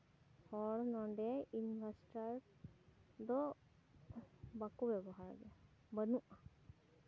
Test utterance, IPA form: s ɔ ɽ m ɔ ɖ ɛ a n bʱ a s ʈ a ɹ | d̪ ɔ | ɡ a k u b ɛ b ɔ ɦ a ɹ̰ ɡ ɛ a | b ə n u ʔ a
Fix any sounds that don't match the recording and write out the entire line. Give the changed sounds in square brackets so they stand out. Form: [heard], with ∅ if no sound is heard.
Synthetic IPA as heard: [h] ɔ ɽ [n] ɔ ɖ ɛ [i] n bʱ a s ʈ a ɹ | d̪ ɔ | [b] a k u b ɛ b ɔ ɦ a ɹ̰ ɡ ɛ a | b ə n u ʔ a